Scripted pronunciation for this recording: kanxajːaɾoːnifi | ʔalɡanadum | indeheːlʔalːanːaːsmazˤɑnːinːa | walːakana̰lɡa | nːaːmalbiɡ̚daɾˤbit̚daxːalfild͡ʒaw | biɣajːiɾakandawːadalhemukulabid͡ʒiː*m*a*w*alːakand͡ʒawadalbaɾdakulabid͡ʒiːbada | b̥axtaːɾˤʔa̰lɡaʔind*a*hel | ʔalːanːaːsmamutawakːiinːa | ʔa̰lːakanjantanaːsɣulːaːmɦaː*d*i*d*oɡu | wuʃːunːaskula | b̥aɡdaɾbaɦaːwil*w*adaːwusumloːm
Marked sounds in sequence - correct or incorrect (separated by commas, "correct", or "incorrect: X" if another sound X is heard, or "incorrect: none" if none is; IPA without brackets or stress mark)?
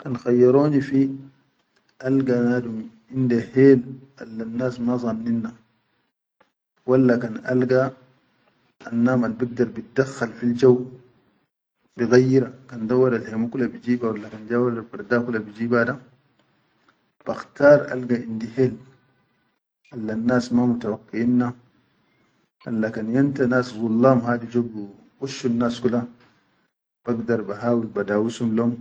incorrect: b, correct, incorrect: i, correct, incorrect: d͡ʒ, incorrect: b